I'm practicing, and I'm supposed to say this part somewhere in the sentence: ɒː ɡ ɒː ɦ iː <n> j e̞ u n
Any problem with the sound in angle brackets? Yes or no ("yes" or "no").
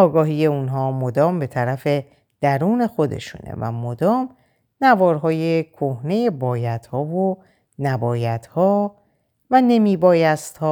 yes